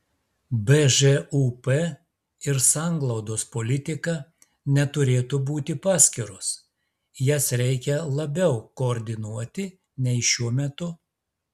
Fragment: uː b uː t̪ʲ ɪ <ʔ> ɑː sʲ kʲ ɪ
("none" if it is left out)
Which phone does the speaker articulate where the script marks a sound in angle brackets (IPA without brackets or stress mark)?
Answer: p